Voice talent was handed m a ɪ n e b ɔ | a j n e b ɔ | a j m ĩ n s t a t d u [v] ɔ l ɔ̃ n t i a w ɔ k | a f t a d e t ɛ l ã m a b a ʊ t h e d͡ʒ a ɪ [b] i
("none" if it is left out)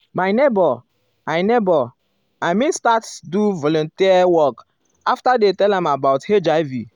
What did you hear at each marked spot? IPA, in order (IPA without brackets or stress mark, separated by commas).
v, v